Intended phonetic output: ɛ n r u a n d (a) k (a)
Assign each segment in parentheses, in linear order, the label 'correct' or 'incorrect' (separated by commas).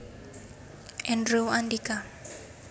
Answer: incorrect, correct